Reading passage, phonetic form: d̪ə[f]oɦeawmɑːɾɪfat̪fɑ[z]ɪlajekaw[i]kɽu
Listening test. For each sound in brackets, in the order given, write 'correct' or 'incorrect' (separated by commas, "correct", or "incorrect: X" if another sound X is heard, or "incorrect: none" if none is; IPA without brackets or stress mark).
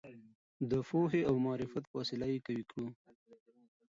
correct, incorrect: s, correct